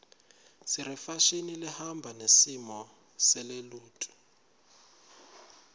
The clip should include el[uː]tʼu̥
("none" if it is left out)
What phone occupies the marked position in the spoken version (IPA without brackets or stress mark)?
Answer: uː